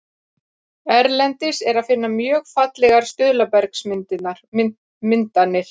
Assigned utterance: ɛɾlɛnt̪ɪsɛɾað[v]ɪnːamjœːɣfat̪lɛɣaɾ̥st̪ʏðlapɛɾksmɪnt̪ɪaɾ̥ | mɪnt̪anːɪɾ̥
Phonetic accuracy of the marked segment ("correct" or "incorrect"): incorrect